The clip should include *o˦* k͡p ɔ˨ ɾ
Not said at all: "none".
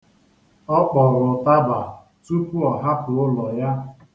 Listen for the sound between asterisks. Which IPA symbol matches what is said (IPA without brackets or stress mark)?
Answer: ɔ˦